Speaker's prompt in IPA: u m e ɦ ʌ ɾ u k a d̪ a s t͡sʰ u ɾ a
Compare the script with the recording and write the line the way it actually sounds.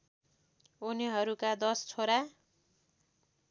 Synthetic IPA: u n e ɦ ʌ ɾ u k a d̪ ʌ s t͡sʰ o ɾ a